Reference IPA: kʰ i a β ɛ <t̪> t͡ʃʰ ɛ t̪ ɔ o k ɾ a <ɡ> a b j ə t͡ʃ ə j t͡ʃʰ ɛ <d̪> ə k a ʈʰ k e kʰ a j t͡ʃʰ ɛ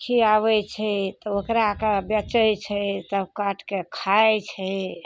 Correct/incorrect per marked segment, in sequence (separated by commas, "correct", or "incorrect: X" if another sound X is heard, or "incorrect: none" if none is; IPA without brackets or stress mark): incorrect: none, incorrect: k, incorrect: t̪